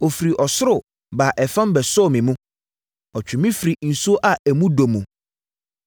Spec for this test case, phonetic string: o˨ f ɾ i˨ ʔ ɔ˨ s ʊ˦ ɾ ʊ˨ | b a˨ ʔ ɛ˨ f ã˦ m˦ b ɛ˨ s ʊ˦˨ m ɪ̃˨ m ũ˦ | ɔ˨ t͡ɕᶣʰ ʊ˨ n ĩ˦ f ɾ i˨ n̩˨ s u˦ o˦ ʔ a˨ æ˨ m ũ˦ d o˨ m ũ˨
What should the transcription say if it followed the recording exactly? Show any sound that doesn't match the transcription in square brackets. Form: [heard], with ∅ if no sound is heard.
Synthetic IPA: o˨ f ɾ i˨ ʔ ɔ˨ s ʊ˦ ɾ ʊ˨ | b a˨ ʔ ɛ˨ f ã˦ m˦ b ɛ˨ s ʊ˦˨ m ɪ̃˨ m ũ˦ | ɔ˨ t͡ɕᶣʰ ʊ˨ [m] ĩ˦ f ɾ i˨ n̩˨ s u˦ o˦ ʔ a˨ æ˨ m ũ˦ d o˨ m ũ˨